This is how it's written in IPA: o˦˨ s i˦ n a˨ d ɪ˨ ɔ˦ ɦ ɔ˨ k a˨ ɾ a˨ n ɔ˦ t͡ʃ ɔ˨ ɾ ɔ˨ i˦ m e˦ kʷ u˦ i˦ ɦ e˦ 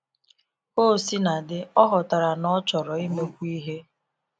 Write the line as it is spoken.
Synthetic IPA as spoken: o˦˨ s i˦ n a˨ d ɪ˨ ɔ˦ ɦ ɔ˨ t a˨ ɾ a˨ n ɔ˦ t͡ʃ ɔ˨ ɾ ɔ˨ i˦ m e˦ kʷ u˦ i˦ ɦ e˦